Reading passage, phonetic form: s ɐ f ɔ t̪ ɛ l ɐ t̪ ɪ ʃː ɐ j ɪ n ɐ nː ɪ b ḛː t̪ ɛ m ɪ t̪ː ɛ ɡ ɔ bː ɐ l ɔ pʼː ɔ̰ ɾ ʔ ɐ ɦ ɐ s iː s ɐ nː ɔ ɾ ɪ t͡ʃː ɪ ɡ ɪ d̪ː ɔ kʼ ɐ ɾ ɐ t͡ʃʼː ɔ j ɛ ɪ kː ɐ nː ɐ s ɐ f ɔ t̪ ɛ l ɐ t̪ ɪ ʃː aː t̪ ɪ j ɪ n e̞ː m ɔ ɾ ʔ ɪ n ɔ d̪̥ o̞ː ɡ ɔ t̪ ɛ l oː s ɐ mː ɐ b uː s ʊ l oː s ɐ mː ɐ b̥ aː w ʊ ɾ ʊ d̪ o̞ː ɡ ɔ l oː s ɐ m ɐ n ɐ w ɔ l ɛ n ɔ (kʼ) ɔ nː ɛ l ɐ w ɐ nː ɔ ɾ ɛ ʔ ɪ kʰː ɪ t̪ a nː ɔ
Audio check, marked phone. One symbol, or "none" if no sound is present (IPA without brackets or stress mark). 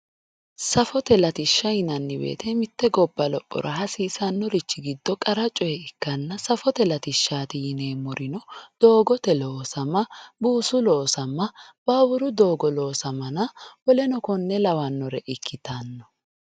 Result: k